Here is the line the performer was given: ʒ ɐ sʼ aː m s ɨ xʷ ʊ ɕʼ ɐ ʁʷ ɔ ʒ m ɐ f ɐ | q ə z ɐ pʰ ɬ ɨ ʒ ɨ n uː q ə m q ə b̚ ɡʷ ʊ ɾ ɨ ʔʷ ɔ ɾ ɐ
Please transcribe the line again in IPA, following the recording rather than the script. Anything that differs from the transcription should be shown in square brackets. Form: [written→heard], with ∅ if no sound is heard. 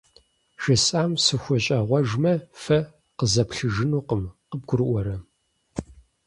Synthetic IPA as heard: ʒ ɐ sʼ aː m s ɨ xʷ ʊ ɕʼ ɐ ʁʷ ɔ ʒ m ɐ f ɐ | q ə z ɐ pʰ ɬ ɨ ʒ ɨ n uː q ə m q ə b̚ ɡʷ ʊ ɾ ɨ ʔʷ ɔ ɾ ɐ